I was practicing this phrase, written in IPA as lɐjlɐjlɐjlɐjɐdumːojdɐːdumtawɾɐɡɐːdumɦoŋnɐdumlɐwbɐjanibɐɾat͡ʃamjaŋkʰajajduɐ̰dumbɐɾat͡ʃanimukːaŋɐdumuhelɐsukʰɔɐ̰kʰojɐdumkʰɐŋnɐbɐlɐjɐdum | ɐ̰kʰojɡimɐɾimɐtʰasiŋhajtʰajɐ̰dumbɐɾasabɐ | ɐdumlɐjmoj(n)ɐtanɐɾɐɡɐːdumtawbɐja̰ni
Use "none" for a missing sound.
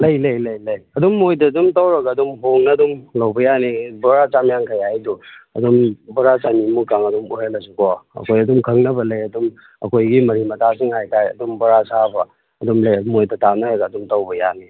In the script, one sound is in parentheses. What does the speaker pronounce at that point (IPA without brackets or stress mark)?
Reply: d